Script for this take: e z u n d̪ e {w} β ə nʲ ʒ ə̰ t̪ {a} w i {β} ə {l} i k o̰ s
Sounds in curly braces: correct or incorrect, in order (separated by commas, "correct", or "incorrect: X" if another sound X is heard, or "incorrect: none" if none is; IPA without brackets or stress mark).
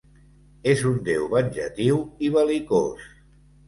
correct, incorrect: i, correct, correct